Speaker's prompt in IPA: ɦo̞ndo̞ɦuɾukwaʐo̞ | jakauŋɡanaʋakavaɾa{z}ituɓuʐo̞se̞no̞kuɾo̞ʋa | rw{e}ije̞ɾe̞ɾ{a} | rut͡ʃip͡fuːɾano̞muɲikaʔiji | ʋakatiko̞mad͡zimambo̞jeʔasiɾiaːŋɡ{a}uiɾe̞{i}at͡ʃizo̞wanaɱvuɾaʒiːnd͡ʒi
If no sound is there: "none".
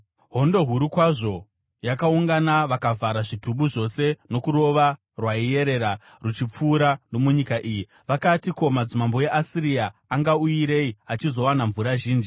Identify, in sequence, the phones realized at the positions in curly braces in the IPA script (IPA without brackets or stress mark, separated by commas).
ʐ, a, a, a, i